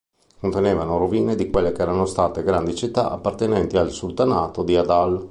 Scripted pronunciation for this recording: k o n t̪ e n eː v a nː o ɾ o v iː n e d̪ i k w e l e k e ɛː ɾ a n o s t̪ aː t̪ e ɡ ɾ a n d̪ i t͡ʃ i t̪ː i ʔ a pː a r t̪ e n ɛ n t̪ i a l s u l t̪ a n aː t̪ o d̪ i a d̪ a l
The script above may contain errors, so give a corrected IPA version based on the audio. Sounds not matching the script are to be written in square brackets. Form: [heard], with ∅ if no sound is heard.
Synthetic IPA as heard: k o n t̪ e n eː v a [n] o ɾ o v iː n e d̪ i k w e [lː] e k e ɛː ɾ a n o s t̪ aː t̪ e ɡ ɾ a n d̪ i t͡ʃ i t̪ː [a] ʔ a pː a r t̪ e n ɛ n t̪ i a l s u l t̪ a n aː t̪ o d̪ i a d̪ a l